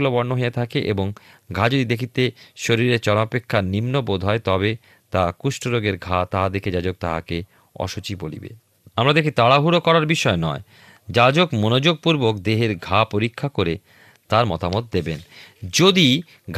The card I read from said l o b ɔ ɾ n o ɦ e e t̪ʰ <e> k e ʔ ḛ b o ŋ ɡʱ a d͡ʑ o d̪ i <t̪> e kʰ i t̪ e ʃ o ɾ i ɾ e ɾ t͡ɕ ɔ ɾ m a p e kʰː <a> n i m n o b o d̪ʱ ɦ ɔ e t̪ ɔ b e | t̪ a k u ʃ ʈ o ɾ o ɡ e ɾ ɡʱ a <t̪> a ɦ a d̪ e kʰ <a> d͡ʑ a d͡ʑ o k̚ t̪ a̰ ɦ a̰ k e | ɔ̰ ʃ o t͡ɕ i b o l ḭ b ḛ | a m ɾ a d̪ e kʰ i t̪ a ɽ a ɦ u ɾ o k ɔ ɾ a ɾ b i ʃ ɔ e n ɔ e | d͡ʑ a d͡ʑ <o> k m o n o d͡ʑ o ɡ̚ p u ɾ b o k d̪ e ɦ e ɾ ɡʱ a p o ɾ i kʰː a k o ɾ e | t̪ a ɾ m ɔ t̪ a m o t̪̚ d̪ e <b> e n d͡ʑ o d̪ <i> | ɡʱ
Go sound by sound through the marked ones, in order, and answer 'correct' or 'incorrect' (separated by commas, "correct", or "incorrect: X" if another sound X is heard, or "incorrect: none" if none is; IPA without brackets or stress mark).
incorrect: a, incorrect: d̪, correct, correct, incorrect: e, correct, correct, correct